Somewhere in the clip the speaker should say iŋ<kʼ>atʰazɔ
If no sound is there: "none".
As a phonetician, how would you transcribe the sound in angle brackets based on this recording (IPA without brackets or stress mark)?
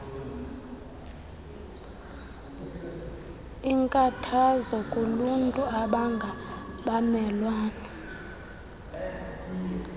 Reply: kʼ